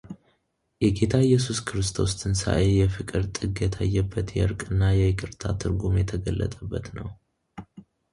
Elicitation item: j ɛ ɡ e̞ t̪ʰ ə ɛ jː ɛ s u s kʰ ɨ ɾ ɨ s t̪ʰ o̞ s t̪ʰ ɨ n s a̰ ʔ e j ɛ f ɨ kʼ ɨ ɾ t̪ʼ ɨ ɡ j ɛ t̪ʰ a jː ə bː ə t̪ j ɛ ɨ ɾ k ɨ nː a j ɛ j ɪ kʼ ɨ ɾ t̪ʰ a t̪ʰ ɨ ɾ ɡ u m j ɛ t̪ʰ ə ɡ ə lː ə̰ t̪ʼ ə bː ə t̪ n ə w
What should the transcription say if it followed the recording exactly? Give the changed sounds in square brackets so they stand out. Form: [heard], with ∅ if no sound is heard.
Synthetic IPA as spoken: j ɛ ɡ e̞ t̪ʰ [a] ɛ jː ɛ s u s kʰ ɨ ɾ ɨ s t̪ʰ o̞ s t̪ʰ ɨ n s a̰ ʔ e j ɛ f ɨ kʼ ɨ ɾ t̪ʼ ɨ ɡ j ɛ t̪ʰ a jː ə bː ə t̪ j ɛ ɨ ɾ [kʼ] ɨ nː a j ɛ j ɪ kʼ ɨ ɾ t̪ʰ a t̪ʰ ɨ ɾ ɡ u m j ɛ t̪ʰ ə ɡ ə lː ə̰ t̪ʼ ə bː ə t̪ n ə w